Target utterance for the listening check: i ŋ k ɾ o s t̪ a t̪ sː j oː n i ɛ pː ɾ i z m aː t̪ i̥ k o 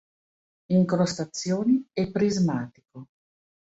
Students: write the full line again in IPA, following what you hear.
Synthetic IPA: i ŋ k ɾ o s t̪ a t̪ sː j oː n i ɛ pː ɾ i z m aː t̪ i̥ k o